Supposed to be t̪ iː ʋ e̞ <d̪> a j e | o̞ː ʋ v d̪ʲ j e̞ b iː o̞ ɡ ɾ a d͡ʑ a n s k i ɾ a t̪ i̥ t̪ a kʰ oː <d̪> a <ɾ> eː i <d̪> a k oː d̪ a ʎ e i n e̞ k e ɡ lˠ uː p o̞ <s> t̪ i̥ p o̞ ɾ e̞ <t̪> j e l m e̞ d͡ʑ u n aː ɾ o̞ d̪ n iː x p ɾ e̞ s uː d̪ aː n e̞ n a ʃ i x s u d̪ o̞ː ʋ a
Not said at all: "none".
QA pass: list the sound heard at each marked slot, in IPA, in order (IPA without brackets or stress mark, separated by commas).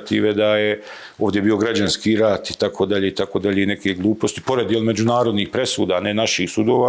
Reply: d̪, d̪, ʎ, t̪, s, d̪